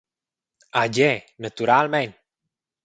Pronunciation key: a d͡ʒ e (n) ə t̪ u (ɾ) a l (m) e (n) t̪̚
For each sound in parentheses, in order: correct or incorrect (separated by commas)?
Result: correct, correct, correct, correct